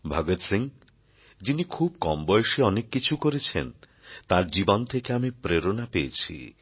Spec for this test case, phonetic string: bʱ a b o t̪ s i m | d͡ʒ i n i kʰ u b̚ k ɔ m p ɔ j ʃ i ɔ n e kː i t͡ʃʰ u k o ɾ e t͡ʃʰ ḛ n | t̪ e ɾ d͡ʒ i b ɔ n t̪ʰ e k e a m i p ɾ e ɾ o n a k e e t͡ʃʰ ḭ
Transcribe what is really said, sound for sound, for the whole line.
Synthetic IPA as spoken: bʱ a ɡ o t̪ s i ŋ | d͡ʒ i n i kʰ u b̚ k ɔ m b ɔ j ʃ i ɔ n e kː i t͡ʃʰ u k o ɾ e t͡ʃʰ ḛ n | t̪ a ɾ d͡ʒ i b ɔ n t̪ʰ e k e a m i p ɾ e ɾ o n a p e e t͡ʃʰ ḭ